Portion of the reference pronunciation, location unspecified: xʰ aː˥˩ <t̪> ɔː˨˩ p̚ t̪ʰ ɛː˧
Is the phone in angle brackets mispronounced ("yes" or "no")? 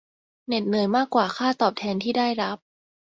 no